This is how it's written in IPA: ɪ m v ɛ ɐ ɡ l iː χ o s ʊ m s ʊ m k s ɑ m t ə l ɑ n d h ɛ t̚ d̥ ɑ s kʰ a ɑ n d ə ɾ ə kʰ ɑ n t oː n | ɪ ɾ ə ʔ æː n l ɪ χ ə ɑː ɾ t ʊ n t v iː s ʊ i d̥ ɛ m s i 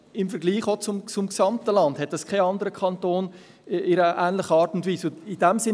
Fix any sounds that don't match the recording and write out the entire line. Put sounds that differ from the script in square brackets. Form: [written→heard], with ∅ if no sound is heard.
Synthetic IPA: ɪ m [v→f] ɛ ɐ ɡ l iː χ o [s→t͡s] ʊ m [s→t͡s] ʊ m k s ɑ m t ə l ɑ n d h ɛ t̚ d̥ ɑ s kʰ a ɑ n d ə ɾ ə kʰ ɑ n t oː n | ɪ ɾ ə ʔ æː n l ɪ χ ə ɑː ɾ t ʊ n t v iː s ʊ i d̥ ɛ m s [i→ɪ]